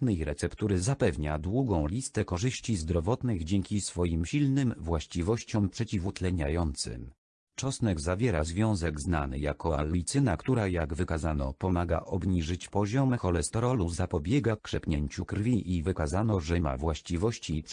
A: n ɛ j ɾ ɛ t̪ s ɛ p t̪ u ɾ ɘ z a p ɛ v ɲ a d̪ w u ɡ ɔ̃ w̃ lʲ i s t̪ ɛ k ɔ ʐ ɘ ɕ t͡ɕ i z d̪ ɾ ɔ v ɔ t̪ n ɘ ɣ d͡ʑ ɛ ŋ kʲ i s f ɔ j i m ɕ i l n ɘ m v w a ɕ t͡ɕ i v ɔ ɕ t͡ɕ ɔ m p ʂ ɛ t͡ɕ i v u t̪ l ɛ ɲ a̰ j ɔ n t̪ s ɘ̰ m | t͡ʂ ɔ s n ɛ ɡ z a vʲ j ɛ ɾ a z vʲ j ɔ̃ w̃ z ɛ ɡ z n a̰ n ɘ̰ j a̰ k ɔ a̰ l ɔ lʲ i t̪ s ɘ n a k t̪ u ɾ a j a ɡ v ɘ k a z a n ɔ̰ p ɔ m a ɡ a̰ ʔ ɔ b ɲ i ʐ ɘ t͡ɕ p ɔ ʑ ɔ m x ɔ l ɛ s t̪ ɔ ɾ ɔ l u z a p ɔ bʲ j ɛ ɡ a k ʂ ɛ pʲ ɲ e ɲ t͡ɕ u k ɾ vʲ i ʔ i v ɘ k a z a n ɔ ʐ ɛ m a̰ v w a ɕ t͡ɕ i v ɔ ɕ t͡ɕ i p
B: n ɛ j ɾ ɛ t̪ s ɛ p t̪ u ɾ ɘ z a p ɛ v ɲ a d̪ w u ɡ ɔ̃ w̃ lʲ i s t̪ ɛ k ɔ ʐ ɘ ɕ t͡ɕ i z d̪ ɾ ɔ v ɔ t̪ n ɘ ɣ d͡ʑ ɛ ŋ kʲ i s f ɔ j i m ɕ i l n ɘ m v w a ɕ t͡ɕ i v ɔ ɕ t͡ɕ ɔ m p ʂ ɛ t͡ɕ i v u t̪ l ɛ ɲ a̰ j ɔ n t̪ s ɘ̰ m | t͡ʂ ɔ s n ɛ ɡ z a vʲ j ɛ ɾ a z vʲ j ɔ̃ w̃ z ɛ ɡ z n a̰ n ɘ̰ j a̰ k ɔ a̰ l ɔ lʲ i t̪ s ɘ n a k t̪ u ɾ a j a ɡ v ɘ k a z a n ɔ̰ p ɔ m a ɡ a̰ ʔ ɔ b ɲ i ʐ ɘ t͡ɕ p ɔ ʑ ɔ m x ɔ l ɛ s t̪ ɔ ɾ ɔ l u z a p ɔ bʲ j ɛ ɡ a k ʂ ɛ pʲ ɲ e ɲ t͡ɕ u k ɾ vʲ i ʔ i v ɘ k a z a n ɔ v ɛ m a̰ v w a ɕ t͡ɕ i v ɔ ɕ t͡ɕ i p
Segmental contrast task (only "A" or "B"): A